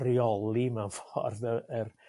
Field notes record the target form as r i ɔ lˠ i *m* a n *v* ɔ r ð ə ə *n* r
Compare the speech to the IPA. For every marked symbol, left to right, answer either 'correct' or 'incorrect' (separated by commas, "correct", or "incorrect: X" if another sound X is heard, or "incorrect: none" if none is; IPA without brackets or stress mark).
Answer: correct, incorrect: f, incorrect: none